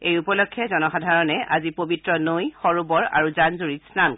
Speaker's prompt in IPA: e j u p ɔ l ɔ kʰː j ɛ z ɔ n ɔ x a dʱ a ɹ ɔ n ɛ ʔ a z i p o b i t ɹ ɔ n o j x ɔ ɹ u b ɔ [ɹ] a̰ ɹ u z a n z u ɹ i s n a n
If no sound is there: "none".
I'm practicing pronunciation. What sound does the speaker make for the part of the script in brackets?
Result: ɹ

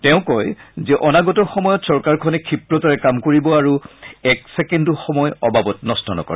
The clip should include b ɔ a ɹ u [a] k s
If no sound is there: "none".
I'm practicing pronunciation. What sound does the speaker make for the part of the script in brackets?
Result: ɛ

